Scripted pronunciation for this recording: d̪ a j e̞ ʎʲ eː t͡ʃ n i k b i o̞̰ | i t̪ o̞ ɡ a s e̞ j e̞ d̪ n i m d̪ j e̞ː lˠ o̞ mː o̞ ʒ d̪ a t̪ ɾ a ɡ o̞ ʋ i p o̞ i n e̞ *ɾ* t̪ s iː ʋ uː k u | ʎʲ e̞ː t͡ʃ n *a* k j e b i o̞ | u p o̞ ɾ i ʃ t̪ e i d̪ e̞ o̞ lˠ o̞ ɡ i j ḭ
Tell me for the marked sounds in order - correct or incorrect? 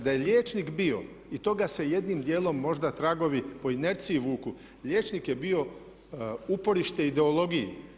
correct, incorrect: i

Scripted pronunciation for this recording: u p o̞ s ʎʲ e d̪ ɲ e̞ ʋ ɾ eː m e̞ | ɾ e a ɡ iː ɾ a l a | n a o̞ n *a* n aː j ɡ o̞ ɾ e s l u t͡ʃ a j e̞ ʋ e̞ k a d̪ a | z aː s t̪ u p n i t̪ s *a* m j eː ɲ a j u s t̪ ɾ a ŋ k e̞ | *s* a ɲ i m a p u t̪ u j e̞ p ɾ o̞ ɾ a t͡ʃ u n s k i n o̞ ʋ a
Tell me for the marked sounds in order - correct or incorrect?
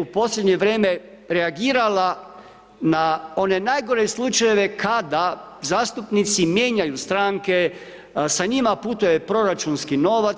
incorrect: e, incorrect: i, correct

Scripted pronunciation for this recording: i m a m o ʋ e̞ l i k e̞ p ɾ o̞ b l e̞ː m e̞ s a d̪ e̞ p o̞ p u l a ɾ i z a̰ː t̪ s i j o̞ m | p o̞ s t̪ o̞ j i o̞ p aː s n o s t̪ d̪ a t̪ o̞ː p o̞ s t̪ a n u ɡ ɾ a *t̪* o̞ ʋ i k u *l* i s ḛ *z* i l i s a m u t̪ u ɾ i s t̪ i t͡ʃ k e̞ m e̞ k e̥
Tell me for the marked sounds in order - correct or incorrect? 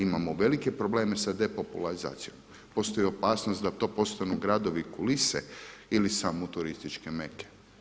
incorrect: d̪, correct, incorrect: none

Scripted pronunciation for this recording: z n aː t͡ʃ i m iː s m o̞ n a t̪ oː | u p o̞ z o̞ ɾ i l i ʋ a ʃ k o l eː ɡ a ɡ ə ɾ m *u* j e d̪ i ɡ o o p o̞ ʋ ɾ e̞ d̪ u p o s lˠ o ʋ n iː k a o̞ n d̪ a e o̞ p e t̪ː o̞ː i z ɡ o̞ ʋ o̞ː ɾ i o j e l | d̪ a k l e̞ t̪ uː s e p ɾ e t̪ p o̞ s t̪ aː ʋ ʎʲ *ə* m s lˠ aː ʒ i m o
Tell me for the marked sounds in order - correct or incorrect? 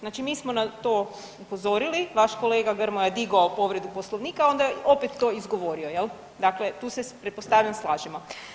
incorrect: o, incorrect: a

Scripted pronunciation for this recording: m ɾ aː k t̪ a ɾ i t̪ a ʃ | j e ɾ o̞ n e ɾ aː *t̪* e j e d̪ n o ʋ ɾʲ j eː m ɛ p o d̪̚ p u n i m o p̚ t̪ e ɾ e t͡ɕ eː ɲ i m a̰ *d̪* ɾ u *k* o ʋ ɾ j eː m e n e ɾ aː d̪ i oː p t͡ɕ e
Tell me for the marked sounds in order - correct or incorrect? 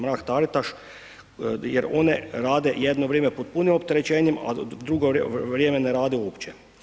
incorrect: d̪, correct, incorrect: ɡ

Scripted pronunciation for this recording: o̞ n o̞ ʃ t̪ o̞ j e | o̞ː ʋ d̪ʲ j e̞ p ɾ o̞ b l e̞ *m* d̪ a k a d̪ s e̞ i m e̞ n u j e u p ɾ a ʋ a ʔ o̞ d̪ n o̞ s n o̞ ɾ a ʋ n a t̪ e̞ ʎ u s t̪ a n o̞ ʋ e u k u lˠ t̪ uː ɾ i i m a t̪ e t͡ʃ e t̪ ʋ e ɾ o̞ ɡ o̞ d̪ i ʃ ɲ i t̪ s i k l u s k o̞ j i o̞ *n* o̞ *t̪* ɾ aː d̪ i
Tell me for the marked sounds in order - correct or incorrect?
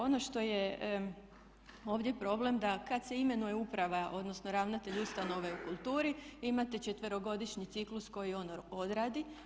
correct, correct, incorrect: d̪

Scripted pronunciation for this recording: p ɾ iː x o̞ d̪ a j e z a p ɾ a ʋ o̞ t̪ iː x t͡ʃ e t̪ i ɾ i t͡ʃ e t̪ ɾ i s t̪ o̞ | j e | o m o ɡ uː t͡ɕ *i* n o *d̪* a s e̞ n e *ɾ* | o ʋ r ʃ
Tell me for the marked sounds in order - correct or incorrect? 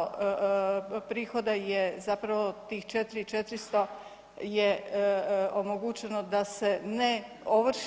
incorrect: e, correct, incorrect: none

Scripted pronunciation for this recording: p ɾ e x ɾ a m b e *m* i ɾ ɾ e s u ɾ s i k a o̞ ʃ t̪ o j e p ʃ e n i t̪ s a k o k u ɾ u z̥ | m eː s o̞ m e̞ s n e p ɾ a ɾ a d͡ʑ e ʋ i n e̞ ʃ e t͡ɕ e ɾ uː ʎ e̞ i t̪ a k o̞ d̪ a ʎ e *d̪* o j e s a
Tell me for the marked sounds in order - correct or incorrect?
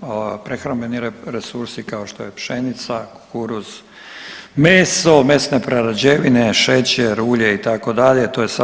incorrect: n, incorrect: t̪

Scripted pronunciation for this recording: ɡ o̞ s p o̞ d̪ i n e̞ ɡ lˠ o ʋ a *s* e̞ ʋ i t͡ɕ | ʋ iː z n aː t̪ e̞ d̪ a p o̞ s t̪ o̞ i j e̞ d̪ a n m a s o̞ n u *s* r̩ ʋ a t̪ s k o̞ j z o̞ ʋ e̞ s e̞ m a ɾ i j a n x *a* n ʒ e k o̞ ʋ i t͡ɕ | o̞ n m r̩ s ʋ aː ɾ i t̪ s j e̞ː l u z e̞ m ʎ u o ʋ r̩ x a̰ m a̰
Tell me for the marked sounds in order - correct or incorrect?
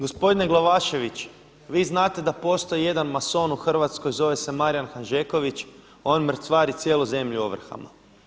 incorrect: ʃ, incorrect: x, correct

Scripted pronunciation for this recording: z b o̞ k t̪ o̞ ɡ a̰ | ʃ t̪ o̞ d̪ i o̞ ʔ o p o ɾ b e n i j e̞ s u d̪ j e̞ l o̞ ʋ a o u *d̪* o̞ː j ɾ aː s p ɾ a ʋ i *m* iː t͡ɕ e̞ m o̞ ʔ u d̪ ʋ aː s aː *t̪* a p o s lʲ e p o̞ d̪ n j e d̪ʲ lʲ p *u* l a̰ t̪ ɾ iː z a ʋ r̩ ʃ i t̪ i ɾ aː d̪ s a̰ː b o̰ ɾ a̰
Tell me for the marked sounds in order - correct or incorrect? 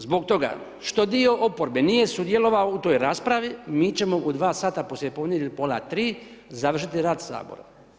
incorrect: t̪, correct, correct, incorrect: o

